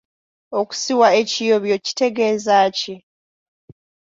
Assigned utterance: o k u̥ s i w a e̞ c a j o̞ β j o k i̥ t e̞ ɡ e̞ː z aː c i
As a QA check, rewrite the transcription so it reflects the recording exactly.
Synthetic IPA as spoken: o k u̥ s i w a e̞ c i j o̞ β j o c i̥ t e̞ ɡ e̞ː z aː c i